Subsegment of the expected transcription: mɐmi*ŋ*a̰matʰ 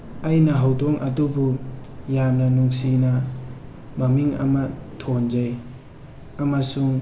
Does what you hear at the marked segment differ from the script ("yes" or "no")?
no